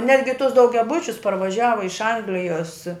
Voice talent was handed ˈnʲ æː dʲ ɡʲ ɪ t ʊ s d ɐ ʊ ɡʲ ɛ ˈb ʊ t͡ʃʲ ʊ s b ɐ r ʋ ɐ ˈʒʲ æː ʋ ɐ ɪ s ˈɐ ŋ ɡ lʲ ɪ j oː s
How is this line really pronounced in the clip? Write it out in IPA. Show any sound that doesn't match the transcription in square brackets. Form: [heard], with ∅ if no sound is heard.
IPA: ˈnʲ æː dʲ ɡʲ ɪ t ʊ s d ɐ ʊ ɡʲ ɛ ˈb ʊ t͡ʃʲ ʊ s [p] ɐ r ʋ ɐ ˈʒʲ æː ʋ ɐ ɪ [ʃ] ˈɐ ŋ ɡ lʲ ɪ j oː s